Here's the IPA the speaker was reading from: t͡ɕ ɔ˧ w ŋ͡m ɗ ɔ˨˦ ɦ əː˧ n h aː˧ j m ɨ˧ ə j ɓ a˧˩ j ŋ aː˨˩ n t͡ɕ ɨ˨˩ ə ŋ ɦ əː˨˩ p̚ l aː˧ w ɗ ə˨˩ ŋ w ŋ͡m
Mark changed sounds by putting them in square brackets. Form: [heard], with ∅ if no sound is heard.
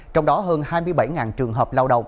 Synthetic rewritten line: t͡ɕ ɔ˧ w ŋ͡m ɗ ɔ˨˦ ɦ əː˧ n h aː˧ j m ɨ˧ ə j ɓ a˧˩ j ŋ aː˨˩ n t͡ɕ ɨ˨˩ ə ŋ ɦ əː˨˩ p̚ l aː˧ w ɗ ə˨˩ [∅] w ŋ͡m